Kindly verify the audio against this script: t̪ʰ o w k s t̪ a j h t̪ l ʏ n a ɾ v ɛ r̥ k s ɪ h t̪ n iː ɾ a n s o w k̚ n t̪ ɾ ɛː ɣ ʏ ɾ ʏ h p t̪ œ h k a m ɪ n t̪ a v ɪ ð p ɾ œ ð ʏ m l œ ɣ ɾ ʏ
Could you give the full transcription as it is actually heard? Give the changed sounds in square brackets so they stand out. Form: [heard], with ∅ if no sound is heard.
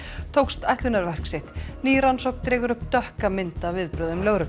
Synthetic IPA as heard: t̪ʰ o w k s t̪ a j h t̪ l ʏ n a ɾ v ɛ r̥ k s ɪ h t̪ n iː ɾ a n s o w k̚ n t̪ ɾ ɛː ɣ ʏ ɾ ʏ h p t̪ œ h k a m ɪ n t̪ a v ɪ ð p ɾ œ ð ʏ m l œ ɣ ɾ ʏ